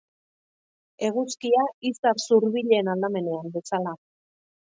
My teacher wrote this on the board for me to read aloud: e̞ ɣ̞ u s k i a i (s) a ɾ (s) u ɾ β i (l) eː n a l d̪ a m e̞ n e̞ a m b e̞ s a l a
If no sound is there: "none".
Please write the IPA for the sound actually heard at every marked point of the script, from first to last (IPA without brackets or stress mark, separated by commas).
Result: s, s, ʎ